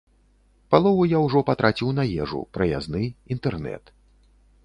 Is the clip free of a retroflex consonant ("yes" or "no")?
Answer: no